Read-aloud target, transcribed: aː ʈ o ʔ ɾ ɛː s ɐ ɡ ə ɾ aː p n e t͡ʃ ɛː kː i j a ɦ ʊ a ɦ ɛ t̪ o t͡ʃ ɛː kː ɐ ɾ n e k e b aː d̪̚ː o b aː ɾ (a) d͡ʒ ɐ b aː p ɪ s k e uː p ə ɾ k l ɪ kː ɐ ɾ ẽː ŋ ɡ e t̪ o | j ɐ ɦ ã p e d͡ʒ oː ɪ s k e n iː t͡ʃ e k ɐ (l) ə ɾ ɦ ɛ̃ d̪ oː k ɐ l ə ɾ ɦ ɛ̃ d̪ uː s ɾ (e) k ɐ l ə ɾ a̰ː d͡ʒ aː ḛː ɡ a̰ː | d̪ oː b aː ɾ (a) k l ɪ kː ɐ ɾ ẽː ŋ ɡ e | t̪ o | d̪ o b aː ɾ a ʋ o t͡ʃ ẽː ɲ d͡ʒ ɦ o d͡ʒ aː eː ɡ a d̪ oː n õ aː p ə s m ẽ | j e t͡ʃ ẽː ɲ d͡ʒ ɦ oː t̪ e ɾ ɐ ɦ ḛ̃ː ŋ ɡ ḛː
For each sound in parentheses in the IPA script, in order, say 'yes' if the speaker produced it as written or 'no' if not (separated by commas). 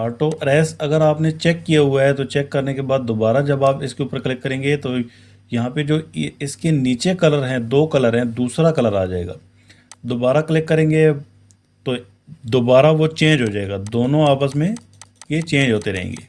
yes, yes, no, yes